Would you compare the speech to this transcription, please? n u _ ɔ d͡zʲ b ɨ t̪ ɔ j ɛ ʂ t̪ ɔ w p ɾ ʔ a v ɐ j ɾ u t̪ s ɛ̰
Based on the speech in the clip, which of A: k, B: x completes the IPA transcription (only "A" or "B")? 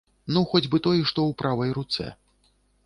B